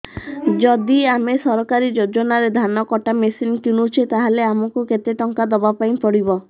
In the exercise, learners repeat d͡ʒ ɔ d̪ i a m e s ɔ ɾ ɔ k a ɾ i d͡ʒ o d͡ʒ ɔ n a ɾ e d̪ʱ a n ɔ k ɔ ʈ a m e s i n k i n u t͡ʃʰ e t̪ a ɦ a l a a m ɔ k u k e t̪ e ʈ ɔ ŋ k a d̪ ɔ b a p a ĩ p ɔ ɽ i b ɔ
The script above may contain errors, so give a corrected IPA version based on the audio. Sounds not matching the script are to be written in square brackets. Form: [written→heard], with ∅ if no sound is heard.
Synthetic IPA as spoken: d͡ʒ ɔ d̪ i a m e s ɔ ɾ ɔ k a ɾ i d͡ʒ o d͡ʒ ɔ n a ɾ e d̪ʱ a n ɔ k ɔ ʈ a m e s i n k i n u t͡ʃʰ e t̪ a ɦ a l [a→e] a m ɔ k u k e t̪ e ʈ ɔ ŋ k a d̪ ɔ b a p a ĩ p ɔ ɽ i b ɔ